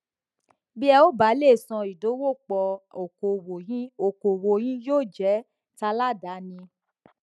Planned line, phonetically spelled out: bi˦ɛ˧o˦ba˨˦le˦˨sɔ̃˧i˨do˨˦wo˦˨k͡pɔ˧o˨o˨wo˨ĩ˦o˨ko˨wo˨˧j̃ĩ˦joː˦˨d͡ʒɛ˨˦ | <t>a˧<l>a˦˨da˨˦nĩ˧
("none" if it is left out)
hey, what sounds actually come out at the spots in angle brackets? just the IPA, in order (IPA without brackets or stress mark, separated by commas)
t, l